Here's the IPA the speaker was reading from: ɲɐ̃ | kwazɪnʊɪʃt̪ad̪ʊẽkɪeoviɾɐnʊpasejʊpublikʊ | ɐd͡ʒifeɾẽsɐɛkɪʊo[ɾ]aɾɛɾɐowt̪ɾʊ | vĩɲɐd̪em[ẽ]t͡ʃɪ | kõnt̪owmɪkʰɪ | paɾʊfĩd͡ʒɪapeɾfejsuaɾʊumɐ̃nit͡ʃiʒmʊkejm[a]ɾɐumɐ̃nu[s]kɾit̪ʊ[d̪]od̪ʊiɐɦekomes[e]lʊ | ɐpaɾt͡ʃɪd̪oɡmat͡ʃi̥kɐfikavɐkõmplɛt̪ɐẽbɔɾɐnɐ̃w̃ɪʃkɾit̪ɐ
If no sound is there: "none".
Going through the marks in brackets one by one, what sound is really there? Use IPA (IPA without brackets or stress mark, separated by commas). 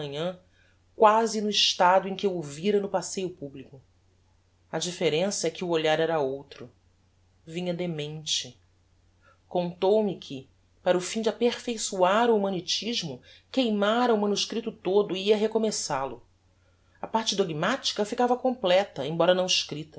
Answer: ʎ, ẽ, a, ʃ, t̪, a